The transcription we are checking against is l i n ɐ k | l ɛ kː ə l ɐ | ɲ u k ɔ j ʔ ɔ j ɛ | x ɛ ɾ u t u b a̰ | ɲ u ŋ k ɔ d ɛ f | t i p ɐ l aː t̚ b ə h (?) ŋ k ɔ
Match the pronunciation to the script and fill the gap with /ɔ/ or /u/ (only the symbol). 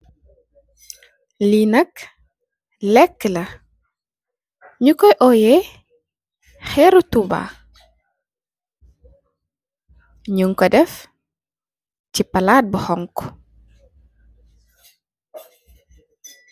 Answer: ɔ